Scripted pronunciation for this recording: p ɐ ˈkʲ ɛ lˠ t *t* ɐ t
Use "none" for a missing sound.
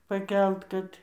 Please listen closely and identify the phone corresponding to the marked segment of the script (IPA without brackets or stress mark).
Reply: k